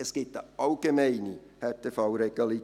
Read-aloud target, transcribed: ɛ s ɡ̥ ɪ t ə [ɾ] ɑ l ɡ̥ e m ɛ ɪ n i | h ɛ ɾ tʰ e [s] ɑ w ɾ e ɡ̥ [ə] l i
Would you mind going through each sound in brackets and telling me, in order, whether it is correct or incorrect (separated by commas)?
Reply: incorrect, incorrect, incorrect